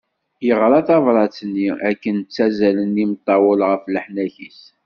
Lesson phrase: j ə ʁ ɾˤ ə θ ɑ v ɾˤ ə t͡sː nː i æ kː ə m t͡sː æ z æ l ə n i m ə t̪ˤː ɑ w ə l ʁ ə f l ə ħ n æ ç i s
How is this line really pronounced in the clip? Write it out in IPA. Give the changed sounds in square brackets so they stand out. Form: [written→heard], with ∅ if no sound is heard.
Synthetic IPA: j ə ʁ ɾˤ [ə→ɑ] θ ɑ v ɾˤ [ə→ɑ] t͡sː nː i æ kː ə [m→n] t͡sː æ z æ l ə n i m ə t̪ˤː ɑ w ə l ʁ ə f l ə ħ n æ ç i s